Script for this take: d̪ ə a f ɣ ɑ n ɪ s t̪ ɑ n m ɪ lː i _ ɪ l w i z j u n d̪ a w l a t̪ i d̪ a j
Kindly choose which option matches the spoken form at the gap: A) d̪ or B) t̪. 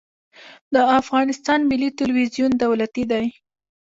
B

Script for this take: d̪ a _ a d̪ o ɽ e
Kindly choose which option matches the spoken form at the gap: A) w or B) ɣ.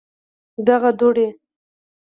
B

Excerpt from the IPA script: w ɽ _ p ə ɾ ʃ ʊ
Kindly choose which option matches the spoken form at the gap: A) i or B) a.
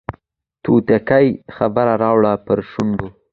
B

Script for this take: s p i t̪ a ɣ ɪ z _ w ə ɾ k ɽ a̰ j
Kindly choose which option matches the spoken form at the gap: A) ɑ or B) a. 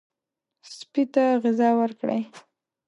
A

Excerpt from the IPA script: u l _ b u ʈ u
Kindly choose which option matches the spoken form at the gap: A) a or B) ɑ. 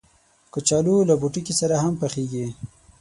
A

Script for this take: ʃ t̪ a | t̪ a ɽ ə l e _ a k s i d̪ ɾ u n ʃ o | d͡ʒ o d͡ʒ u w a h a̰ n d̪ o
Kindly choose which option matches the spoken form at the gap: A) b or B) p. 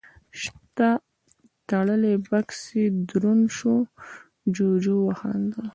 A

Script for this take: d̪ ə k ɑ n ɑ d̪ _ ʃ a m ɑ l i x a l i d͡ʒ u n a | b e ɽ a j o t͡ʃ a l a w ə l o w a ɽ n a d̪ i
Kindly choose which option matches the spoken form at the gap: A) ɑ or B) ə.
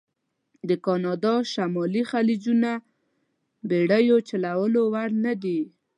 A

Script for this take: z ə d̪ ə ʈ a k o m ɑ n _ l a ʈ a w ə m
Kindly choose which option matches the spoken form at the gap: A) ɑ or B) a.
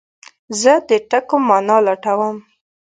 A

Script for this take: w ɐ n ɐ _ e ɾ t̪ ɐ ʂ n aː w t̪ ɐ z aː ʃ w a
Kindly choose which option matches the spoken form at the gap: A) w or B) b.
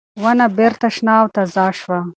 B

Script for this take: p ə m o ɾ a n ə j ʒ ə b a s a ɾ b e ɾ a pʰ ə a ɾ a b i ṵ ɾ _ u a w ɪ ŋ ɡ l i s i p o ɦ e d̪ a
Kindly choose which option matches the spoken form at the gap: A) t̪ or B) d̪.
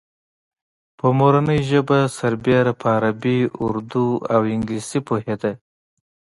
B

